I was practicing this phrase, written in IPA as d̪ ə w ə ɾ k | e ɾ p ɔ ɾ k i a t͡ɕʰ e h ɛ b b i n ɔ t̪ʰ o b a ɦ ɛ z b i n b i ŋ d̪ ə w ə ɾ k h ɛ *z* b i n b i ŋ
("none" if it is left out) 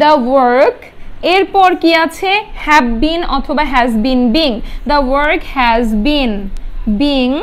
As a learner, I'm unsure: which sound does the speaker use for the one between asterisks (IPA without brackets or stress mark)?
z